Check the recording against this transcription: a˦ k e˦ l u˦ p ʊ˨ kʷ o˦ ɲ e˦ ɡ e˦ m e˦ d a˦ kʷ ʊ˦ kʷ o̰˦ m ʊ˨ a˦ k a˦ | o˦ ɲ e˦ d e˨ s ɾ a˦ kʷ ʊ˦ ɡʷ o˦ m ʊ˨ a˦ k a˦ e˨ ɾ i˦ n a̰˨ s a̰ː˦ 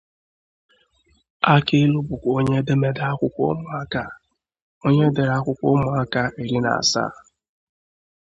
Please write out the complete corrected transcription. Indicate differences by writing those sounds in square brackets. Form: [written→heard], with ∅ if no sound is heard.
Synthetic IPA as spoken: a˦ k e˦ l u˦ [p→b] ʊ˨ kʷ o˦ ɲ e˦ [ɡ→d] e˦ m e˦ d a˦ kʷ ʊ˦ kʷ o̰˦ m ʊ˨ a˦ k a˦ | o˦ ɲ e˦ d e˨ [s→∅] ɾ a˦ kʷ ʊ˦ [ɡʷ→kʷ] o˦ m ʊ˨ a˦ k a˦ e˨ ɾ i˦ n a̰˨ s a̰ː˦